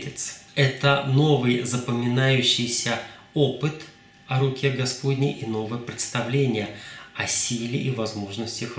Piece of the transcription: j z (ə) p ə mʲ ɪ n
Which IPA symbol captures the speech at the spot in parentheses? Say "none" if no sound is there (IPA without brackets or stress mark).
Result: ə